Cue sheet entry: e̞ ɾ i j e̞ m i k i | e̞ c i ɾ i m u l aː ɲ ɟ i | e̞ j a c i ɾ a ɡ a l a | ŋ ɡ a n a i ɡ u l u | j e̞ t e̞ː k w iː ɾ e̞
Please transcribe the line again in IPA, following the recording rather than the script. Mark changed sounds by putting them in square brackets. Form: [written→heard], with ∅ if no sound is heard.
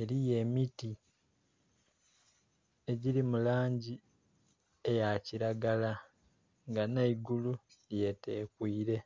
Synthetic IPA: e̞ ɾ i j e̞ m i [k→t] i | e̞ [c→ɟ] i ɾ i m u l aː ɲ ɟ i | e̞ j a c i ɾ a ɡ a l a | ŋ ɡ a n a i ɡ u l u | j e̞ t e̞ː k w iː ɾ e̞